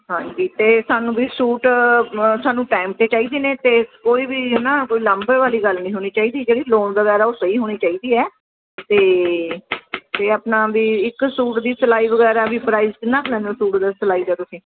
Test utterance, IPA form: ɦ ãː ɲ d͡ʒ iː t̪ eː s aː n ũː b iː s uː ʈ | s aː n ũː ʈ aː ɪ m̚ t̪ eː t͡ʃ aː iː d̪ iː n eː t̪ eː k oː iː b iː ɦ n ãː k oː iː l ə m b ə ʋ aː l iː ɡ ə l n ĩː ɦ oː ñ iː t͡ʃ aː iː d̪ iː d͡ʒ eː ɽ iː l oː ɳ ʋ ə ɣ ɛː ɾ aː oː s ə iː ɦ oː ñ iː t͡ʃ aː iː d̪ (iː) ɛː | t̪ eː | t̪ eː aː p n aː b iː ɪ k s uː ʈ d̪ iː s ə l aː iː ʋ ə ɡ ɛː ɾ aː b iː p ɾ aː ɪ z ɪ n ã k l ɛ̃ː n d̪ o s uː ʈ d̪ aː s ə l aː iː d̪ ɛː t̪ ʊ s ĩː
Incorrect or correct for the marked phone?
correct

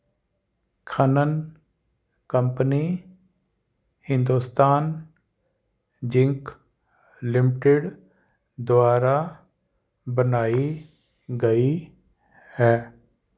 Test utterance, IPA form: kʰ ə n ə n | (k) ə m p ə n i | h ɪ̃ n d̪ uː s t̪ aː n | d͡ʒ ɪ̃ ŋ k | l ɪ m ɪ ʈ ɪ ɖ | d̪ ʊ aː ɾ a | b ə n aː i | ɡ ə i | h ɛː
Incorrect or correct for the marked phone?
correct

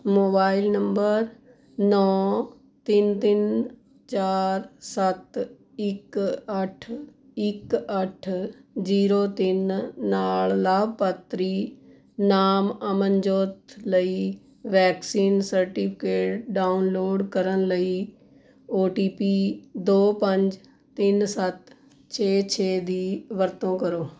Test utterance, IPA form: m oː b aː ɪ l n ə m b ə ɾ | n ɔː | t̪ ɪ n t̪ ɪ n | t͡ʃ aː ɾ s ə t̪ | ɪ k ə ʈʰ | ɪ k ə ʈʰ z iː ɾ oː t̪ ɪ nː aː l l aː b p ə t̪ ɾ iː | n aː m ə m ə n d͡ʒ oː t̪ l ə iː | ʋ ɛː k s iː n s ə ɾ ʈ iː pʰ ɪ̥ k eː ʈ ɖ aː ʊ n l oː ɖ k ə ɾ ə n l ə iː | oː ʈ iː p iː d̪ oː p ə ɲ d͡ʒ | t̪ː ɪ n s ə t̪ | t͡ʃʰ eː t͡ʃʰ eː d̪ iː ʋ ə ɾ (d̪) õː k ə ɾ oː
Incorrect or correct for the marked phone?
incorrect: t̪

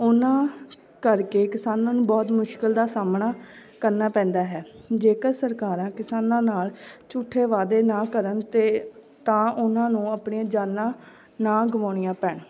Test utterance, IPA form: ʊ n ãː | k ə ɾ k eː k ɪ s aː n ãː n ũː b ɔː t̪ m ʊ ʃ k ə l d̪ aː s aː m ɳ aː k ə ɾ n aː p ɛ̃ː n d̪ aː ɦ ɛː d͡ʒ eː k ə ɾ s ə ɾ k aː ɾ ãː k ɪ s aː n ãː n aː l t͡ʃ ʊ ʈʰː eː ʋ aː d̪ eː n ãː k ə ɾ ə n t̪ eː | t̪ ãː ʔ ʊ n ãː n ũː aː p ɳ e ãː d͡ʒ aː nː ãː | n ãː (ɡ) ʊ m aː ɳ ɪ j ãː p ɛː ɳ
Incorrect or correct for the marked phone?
correct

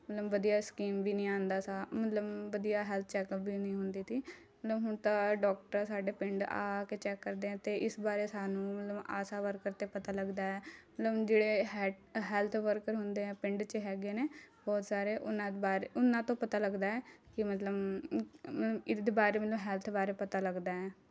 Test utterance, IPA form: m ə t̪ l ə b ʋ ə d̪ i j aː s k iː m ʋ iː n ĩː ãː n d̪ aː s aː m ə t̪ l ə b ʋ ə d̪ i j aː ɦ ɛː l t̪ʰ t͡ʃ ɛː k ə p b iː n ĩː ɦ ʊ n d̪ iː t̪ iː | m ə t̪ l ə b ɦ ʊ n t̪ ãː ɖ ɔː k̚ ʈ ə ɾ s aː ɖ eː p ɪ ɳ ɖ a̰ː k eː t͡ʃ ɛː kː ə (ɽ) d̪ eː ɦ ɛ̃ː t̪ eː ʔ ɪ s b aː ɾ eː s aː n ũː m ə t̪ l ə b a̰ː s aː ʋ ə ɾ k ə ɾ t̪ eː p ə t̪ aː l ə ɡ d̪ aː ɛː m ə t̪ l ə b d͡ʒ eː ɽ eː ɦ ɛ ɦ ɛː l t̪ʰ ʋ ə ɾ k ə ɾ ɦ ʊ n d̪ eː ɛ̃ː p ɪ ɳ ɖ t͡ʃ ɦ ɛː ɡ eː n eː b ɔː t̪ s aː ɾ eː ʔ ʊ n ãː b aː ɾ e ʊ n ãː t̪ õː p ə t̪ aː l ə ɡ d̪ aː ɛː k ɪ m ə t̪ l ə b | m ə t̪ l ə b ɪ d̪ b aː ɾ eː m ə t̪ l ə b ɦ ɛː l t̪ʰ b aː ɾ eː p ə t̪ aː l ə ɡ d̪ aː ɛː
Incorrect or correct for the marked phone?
incorrect: ɾ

